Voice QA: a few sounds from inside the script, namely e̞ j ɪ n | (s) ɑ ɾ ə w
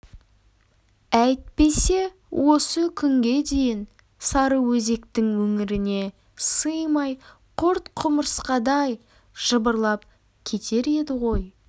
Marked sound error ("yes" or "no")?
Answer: no